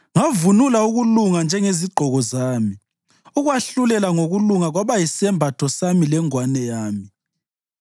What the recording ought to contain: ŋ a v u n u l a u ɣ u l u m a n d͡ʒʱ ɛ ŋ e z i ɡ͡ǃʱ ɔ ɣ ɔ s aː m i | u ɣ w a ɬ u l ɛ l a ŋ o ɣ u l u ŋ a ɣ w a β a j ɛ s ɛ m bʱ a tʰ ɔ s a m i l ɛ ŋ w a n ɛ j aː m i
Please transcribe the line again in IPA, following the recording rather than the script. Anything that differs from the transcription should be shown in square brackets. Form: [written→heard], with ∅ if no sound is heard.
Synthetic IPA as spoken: ŋ a v u n u l a u ɣ u l u [m→ŋ] a n d͡ʒʱ ɛ ŋ e z i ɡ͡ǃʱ ɔ ɣ ɔ [s→z] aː m i | u ɣ w a ɬ u l ɛ l a ŋ o ɣ u l u ŋ a ɣ w a β a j [ɛ→i] s ɛ m bʱ a tʰ ɔ s a m i l ɛ ŋ w a n ɛ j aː m i

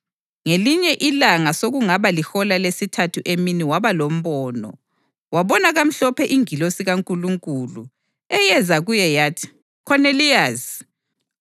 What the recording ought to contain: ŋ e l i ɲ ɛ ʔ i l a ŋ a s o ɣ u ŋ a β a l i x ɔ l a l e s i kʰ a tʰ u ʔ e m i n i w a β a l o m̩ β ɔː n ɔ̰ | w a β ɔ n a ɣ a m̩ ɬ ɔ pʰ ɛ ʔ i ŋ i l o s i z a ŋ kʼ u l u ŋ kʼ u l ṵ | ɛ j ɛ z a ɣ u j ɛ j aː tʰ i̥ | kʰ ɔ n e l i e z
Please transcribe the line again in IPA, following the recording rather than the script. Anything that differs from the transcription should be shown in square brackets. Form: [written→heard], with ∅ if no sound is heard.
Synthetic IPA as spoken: ŋ e l i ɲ ɛ ʔ i l a ŋ a s o ɣ u ŋ a β a l i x ɔ l a l e s i [kʰ→tʰ] a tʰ u ʔ e m i n i w a β a l o m̩ β ɔː n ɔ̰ | w a β ɔ n a ɣ a m̩ ɬ ɔ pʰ ɛ ʔ i ŋ i l o s i [z→ɣ] a ŋ kʼ u l u ŋ kʼ u l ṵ | ɛ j ɛ z a ɣ u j ɛ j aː tʰ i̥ | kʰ ɔ n e l i [e→a] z

